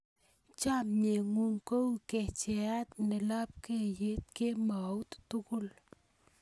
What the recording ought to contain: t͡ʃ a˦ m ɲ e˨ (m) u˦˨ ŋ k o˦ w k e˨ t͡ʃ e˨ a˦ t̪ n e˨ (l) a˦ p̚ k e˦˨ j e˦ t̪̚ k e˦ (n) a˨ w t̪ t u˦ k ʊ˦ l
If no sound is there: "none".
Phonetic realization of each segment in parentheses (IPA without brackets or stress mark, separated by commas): ŋ, l, m